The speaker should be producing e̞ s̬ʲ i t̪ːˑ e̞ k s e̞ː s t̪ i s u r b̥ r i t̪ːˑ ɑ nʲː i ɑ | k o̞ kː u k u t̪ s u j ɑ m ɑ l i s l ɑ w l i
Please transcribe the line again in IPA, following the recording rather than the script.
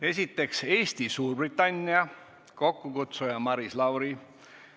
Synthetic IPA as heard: e̞ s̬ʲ i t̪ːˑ e̞ k s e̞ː s t̪ i s uː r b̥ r i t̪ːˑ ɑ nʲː i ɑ | k o̞ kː u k u t̪ s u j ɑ m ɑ ɾ i s l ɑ w ɾ i